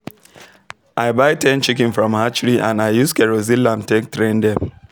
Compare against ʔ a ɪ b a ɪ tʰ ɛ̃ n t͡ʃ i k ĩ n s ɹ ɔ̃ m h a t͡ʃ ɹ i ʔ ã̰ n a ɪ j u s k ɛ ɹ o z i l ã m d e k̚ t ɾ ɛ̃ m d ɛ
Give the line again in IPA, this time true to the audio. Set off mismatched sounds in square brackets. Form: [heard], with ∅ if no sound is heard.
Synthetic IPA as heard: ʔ a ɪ b a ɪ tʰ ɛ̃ n t͡ʃ i k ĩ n [f] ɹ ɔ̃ m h a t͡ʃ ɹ i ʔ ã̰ n a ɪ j u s k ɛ ɹ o z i l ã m [t] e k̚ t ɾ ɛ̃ [n] d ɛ